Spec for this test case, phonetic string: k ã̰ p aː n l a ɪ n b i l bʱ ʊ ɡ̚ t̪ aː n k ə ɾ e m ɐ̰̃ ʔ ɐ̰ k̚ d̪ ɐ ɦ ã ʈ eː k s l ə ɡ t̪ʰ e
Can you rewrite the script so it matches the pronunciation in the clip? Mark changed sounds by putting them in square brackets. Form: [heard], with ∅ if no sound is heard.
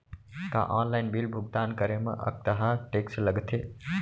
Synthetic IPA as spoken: k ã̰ [ʔ] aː n l a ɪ n b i l bʱ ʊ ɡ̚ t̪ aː n k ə ɾ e m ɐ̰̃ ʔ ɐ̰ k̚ [t̪] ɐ ɦ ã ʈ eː k s l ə ɡ t̪ʰ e